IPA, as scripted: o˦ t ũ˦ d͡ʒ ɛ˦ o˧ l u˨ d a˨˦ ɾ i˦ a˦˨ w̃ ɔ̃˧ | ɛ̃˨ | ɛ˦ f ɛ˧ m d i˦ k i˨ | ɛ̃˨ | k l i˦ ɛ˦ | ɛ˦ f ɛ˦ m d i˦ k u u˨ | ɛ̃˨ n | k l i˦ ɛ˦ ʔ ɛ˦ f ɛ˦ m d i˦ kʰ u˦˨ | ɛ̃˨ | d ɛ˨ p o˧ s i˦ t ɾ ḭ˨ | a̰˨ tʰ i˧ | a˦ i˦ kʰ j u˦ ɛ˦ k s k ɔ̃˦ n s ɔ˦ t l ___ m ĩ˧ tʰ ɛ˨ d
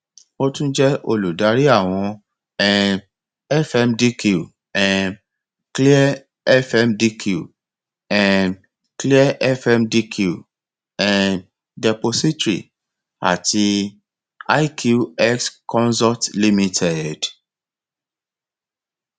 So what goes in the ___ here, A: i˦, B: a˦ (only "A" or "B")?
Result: A